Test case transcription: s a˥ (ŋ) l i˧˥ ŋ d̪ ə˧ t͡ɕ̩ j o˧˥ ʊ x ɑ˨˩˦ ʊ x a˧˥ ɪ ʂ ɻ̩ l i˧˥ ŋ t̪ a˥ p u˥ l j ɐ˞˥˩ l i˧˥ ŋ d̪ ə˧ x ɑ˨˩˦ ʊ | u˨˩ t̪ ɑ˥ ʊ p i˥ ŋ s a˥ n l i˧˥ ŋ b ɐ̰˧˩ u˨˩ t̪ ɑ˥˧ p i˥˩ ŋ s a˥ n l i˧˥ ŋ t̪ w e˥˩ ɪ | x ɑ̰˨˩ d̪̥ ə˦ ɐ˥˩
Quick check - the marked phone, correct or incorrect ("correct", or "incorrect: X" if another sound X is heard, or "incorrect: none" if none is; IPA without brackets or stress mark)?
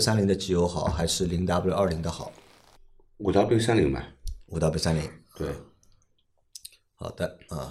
incorrect: n